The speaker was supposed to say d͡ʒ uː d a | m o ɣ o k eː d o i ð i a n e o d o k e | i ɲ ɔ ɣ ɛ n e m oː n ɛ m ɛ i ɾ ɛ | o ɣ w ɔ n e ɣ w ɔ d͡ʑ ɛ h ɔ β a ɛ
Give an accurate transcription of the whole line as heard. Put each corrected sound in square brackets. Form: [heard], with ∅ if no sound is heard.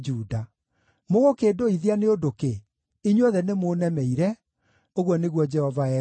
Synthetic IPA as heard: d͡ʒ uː d a | m o ɣ o k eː d o i ð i a n e o d o k e | i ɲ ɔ [ð] ɛ n e m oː n ɛ m ɛ i ɾ ɛ | o ɣ w ɔ n e ɣ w ɔ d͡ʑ ɛ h ɔ [v] a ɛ

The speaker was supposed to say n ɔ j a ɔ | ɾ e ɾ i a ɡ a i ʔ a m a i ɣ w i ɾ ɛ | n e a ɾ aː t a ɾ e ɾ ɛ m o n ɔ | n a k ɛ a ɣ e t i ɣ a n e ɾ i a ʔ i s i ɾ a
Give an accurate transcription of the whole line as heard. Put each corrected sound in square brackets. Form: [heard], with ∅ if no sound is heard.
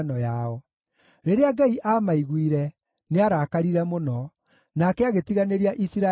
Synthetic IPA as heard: n ɔ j a ɔ | ɾ e ɾ [e] a ɡ a i ʔ a m a i ɣ w i ɾ ɛ | n e a ɾ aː [k] a ɾ [i] ɾ ɛ m o n ɔ | n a k ɛ a ɣ e t i ɣ a n e ɾ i a ʔ i s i ɾ a

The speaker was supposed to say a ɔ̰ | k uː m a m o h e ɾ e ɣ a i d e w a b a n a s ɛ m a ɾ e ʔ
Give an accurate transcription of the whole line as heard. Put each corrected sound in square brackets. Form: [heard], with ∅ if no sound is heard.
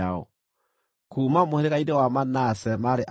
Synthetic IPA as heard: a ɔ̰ | k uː m a m o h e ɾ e ɣ a i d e w a [m] a n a s ɛ m a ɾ e ʔ

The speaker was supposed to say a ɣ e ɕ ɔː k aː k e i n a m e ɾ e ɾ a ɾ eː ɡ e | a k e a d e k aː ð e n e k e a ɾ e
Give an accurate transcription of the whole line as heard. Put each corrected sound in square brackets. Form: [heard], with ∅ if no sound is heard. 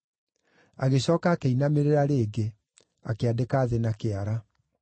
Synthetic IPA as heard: a ɣ e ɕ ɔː k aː k e i n a m e ɾ e ɾ a ɾ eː ɡ e | a k e a d e k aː ð e n [a] k e a ɾ [a]

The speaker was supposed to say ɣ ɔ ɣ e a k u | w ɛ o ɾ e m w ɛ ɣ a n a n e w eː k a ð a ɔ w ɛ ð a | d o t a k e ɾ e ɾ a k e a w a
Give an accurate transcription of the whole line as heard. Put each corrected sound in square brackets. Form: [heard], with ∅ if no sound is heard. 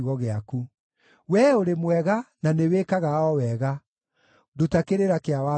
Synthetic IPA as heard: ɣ ɔ ɣ e a k u | w ɛ o ɾ e m w ɛ ɣ a n a n e w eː k a [ɣ] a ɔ w ɛ [ɣ] a | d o t a k e ɾ e ɾ a k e a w a

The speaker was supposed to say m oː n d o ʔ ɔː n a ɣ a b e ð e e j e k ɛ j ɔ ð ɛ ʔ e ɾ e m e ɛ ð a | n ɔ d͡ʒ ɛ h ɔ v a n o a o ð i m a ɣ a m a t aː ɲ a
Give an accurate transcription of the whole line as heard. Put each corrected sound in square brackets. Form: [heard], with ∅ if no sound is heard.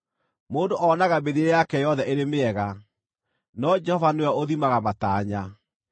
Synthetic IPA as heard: m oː n d o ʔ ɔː n a ɣ a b e ð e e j [a] k ɛ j ɔ ð ɛ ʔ e ɾ e m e ɛ [ɣ] a | n ɔ d͡ʒ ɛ h ɔ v a n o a o ð i m a ɣ a m a t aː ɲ a

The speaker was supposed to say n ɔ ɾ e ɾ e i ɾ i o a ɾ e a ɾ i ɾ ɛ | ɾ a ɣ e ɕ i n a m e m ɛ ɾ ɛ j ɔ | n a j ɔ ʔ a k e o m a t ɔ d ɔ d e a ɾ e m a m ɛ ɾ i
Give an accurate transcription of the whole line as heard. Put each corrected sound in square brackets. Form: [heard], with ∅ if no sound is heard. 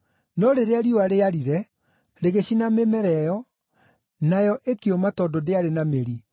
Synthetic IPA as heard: n ɔ ɾ e ɾ e [a] ɾ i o a ɾ e a ɾ i ɾ ɛ | ɾ [e] ɣ e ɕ i n a m e m ɛ ɾ ɛ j ɔ | n a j ɔ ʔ [e] k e o m a t ɔ d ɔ d e a ɾ e [n] a m [e] ɾ i

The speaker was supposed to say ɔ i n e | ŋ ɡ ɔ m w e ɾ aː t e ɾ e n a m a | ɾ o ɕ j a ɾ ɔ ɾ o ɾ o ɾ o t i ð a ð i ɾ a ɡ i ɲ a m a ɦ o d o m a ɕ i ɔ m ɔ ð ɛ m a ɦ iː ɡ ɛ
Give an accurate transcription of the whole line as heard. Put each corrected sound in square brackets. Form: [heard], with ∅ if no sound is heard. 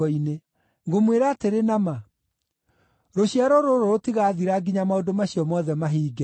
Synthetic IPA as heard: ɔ i n e | ŋ ɡ [o] m w e ɾ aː t e ɾ e n a m a | ɾ o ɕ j a ɾ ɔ ɾ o ɾ o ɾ o t i [ɣ] a ð i ɾ a ɡ i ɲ a m a [∅] o d o m a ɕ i ɔ m ɔ ð ɛ m a ɦ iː ɡ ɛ

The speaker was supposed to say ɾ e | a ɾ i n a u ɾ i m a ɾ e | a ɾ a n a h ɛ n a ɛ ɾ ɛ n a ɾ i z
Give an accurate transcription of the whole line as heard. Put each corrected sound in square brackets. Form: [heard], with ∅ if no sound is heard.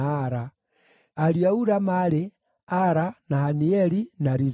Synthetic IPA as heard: ɾ [a] | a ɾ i [∅] a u ɾ [a] m a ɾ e | a ɾ a n a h [a] n [i] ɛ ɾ [i] n a ɾ i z

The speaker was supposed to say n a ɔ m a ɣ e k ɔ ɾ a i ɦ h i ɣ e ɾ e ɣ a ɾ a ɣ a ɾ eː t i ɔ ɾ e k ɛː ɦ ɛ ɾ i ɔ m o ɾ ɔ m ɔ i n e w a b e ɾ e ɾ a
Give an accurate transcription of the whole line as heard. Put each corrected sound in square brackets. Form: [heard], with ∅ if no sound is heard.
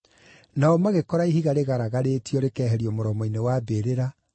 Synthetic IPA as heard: n a ɔ m a ɣ e k ɔ ɾ a i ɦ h i ɣ [a] ɾ e ɣ a ɾ a ɣ a ɾ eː t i ɔ ɾ e k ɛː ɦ ɛ ɾ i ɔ m o ɾ ɔ m ɔ i n e w a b e ɾ e ɾ a

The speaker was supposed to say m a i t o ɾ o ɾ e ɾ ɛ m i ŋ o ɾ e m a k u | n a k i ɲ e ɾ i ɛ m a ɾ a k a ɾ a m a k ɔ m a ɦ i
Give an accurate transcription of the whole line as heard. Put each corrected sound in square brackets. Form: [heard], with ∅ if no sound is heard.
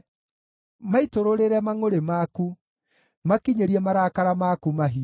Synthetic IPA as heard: m a i t o ɾ o ɾ e ɾ ɛ m [a] ŋ o ɾ e m a k u | [m] a k i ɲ e ɾ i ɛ m a ɾ a k a ɾ a m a k [u] m a ɦ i

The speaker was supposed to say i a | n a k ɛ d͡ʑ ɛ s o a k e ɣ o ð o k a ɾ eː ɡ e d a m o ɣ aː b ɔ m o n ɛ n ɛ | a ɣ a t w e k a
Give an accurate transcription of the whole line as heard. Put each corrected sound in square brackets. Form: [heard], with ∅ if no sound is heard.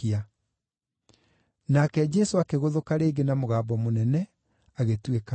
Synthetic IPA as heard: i a | n a k ɛ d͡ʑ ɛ s o a k e ɣ o ð o k a ɾ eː ɡ e [n] a m o ɣ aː b ɔ m o n ɛ n ɛ | a ɣ [e] t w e k a

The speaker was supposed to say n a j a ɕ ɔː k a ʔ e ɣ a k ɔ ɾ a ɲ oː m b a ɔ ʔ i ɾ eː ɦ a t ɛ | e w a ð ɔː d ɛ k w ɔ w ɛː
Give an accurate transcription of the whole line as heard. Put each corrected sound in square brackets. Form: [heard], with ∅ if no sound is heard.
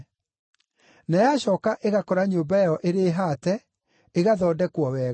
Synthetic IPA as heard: n a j a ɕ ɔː k a ʔ e ɣ a k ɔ ɾ a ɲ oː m b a ɔ ʔ [e] ɾ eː ɦ a t ɛ | e [ɣ] a ð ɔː d ɛ k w ɔ w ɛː

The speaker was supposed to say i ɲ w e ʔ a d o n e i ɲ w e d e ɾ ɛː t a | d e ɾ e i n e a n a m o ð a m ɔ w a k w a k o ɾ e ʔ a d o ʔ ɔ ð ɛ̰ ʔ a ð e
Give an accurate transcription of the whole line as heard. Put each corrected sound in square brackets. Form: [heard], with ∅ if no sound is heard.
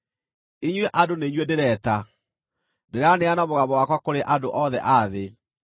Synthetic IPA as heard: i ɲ w e ʔ a d o n e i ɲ w e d e ɾ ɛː t a | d e ɾ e [a] n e a n a m o [ɣ] a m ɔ w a k w a k o ɾ e ʔ a d o ʔ ɔ ð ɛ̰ ʔ a ð e

